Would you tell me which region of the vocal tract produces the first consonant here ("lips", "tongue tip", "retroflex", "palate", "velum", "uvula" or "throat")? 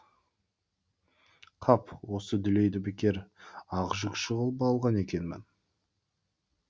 uvula